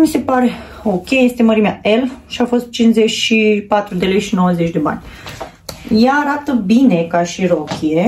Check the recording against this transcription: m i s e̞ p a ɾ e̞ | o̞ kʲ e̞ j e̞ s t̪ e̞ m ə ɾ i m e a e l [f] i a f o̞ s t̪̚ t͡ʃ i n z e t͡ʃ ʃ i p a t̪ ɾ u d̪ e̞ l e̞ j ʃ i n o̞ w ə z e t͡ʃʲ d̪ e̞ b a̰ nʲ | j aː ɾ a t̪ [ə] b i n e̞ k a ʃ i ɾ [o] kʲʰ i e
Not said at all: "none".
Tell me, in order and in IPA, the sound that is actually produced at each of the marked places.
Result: ʃ, ə, o

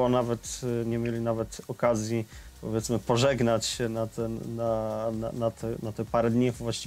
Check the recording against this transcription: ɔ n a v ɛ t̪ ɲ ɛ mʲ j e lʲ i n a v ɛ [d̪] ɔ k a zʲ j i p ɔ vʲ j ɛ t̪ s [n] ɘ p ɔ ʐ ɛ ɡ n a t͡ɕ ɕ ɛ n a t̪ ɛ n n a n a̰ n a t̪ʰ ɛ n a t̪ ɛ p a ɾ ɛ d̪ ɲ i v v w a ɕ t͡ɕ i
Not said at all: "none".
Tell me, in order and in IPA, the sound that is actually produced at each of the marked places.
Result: t̪, m

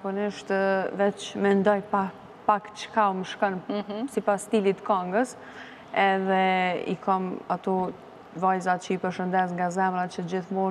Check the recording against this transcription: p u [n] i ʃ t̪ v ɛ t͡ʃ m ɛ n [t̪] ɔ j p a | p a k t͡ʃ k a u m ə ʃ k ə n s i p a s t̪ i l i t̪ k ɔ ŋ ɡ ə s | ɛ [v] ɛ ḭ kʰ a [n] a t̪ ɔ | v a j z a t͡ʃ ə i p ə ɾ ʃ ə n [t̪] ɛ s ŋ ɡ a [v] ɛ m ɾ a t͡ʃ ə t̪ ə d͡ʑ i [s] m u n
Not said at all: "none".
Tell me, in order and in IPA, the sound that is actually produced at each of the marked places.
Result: n, d̪, ð, m, d̪, z, θ

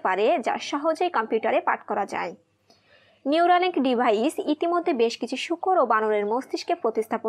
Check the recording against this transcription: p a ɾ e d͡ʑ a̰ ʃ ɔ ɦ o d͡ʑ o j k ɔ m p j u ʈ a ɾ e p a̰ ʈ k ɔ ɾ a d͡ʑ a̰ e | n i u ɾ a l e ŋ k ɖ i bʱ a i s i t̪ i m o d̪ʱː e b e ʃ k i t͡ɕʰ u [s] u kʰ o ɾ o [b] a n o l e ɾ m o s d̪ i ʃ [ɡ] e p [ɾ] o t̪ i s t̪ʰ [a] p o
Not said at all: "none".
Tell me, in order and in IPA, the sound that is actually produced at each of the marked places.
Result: ʃ, b, k, ɾ, a

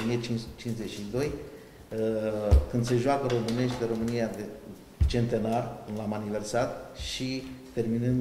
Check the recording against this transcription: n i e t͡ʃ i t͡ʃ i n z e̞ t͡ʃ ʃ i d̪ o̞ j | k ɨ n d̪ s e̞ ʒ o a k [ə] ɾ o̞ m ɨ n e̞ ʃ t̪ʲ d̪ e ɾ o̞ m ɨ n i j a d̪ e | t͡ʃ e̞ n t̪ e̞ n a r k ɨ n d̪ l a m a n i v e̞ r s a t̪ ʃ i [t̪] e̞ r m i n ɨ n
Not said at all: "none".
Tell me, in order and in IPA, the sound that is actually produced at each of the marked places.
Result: ə, t̪

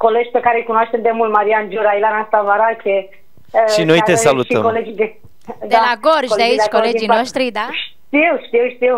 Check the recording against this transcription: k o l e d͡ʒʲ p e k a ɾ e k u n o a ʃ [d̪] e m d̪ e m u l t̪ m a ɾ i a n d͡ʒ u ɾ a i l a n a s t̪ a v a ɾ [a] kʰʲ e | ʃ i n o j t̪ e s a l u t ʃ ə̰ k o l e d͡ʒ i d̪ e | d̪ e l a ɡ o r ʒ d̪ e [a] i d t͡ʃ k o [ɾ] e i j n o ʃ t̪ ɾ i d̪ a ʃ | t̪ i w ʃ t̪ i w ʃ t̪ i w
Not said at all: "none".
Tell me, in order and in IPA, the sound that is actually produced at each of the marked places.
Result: t̪, a, a, l

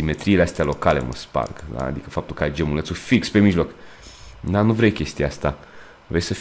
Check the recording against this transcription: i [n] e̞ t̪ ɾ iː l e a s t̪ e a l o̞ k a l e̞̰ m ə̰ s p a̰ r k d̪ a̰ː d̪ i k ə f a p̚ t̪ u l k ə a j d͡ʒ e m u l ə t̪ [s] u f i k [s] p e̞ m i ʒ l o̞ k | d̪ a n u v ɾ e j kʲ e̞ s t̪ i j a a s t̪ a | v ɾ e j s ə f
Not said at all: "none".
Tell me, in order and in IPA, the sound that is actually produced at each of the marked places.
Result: m, s, s

